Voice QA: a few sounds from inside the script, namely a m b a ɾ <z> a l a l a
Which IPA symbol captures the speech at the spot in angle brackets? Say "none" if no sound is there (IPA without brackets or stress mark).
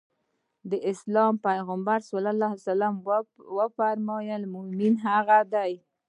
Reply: s